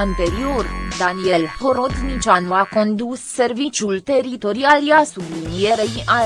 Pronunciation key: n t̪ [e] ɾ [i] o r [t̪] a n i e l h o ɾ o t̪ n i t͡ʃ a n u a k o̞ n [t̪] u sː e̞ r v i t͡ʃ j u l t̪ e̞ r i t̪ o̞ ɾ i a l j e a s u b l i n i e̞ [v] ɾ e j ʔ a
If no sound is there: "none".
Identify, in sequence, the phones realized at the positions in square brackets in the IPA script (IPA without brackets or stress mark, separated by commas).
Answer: e, i, d̪, d̪, none